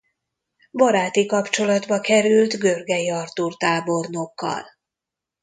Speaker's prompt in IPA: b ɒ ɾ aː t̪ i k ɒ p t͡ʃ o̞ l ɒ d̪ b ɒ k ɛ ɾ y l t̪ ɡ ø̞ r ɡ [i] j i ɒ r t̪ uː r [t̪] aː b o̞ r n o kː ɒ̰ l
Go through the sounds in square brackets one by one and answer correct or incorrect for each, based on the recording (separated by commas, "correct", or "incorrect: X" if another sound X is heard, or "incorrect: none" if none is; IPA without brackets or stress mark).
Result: incorrect: ɛ, correct